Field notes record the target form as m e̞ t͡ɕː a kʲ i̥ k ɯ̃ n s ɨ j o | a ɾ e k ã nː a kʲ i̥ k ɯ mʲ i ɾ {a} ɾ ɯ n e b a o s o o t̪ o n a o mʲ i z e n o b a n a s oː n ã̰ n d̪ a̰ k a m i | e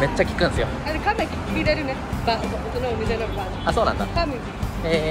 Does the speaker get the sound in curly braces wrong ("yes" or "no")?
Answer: yes